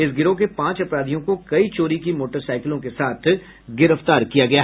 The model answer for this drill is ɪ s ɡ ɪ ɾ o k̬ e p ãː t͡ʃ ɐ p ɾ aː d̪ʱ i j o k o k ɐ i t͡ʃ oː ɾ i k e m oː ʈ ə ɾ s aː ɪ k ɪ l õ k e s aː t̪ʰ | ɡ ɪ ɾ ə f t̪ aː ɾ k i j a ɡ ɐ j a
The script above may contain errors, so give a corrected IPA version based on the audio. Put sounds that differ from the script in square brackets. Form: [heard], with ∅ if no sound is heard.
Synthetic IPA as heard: ɪ s ɡ ɪ ɾ o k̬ e p ãː t͡ʃ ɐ p ɾ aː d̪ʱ i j [õ] k o k ɐ i t͡ʃ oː ɾ i k [i] m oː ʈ ə ɾ s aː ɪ k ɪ l õ k e s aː t̪ʰ | ɡ ɪ ɾ ə f t̪ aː ɾ k i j a ɡ ɐ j a